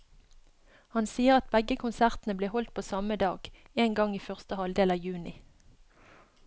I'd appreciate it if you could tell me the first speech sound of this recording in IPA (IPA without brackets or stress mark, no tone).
h